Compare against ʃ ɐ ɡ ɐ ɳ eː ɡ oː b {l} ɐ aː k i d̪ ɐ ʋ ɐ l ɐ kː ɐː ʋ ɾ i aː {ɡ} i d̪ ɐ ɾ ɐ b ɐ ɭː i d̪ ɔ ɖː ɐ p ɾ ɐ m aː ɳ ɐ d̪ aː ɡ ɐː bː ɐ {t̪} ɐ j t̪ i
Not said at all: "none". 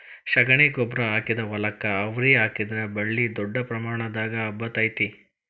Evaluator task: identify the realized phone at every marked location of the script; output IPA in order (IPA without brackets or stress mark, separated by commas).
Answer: ɾ, k, t̪